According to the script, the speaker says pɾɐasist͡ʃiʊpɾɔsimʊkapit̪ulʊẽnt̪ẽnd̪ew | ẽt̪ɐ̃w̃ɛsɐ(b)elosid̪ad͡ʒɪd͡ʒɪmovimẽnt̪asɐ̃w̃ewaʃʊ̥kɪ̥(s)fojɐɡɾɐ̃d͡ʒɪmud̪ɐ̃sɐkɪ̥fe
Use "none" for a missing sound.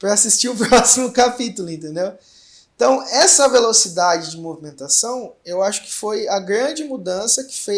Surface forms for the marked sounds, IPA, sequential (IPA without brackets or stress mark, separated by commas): v, none